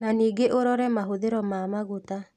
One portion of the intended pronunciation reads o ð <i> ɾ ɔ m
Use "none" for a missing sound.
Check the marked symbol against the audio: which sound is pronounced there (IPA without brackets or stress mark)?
e